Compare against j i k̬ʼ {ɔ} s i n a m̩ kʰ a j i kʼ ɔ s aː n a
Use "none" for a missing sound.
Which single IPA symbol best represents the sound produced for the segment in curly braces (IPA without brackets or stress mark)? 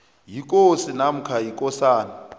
o